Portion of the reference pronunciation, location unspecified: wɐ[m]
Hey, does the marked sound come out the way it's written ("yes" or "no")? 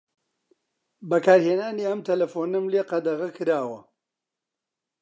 no